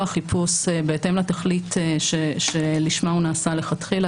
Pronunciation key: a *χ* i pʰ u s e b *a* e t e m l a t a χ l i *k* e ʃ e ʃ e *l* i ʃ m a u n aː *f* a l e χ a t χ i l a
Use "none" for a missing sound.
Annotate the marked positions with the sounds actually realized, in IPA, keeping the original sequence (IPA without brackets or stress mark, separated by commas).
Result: χ, e, t, l, s